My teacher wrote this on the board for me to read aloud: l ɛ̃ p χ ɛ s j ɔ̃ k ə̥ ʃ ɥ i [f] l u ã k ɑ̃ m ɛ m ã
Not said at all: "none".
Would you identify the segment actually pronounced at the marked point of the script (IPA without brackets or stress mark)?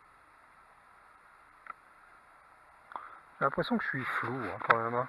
f